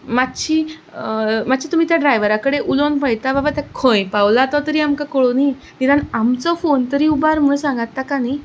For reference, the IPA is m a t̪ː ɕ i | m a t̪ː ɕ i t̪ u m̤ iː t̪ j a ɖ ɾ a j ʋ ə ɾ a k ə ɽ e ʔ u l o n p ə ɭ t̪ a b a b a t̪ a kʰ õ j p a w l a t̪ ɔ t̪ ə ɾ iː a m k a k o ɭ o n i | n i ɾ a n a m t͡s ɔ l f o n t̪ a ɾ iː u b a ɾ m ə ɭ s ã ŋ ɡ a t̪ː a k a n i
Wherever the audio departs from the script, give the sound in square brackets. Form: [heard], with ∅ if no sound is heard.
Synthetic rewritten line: m a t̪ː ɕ i | m a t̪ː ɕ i t̪ u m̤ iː t̪ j a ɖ ɾ a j ʋ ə ɾ a k ə ɽ e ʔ u l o n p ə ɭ t̪ a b a b a t̪ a kʰ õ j p a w l a t̪ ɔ t̪ ə ɾ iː a m k a k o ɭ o n i | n i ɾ a n a m t͡s ɔ [∅] f o n t̪ [ə] ɾ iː u b a ɾ m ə ɭ s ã ŋ ɡ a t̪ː a k a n i